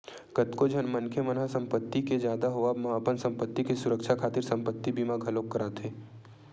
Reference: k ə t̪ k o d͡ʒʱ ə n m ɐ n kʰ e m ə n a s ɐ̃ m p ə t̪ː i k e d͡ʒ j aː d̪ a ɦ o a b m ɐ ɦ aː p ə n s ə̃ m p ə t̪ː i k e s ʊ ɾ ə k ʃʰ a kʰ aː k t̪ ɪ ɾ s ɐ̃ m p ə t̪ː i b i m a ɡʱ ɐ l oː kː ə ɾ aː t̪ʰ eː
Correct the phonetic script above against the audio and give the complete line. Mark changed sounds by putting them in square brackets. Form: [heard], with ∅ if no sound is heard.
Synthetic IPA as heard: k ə t̪ k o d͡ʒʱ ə n m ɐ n kʰ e m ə n a s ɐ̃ m p ə t̪ː i k e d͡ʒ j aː d̪ a ɦ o a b m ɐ ɦ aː p ə n s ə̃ m p ə t̪ː i k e s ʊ ɾ ə k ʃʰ a kʰ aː [∅] t̪ ɪ ɾ s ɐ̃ m p ə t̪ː i b i m a ɡʱ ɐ l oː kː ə ɾ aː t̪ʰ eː